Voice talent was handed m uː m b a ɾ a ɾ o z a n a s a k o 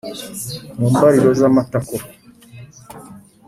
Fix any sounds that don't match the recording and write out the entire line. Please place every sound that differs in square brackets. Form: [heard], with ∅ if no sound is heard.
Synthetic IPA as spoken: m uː m b a ɾ [i] ɾ o z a [m] a [t] a k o

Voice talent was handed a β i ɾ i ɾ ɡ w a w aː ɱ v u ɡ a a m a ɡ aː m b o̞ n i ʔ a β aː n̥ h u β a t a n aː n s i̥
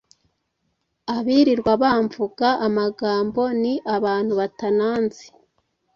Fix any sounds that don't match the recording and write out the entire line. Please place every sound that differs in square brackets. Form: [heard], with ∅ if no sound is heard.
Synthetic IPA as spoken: a β i ɾ i ɾ ɡ w a [β] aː ɱ v u ɡ a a m a ɡ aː m b o̞ n i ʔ a β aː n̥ h u β a t a n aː n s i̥

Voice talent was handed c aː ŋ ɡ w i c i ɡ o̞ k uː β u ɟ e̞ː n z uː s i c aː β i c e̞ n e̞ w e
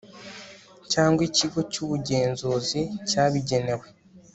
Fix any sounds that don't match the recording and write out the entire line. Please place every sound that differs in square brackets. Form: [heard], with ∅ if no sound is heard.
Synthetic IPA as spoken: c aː ŋ ɡ w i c i ɡ o̞ [c] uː β u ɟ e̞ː n z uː [z] i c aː β i [ɟ] e̞ n e̞ w e

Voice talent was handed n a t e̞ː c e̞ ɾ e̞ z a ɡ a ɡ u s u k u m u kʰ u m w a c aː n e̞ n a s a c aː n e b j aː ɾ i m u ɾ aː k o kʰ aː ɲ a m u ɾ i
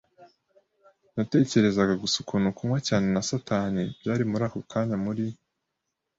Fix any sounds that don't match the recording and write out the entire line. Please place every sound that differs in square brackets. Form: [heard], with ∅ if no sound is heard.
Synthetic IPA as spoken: n a t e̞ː c e̞ ɾ e̞ z a ɡ a ɡ u s u k u [n] u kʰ u m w a c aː n e̞ n a s a [t] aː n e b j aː ɾ i m u ɾ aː k o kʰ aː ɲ a m u ɾ i

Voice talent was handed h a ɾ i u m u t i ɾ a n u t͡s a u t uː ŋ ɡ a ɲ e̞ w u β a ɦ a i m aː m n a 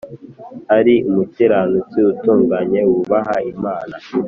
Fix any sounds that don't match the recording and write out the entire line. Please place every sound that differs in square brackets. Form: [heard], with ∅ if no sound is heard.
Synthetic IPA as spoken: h a ɾ i u m u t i ɾ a n u t͡s [i] u t uː ŋ ɡ a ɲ e̞ w u β a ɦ a i m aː [∅] n a

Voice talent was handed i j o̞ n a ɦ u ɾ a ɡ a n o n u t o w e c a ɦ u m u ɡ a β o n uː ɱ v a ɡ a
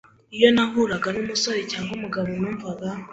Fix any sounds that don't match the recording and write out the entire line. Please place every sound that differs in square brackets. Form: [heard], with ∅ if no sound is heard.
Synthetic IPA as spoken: i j o̞ n a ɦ u ɾ a ɡ a n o [m] u [s] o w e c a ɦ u m u ɡ a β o n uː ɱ v a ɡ a

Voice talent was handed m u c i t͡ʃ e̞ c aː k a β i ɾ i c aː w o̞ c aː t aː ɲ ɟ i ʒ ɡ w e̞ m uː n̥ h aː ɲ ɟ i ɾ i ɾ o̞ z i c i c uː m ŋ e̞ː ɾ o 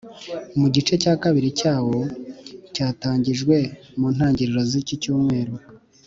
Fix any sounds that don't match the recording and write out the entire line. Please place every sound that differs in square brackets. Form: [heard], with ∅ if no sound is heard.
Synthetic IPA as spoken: m u [ɟ] i t͡ʃ e̞ c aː k a β i ɾ i c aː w o̞ c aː t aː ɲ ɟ i ʒ ɡ w e̞ m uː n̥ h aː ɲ ɟ i ɾ i ɾ o̞ z i c i c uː m ŋ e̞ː ɾ o

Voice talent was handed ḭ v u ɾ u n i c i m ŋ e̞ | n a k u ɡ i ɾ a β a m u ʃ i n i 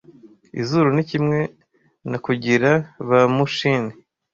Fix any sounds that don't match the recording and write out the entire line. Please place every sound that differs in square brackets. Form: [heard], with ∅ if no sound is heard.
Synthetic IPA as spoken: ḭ [z] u ɾ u n i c i m ŋ e̞ | n a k u [ɟ] i ɾ a β a m u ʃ i n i

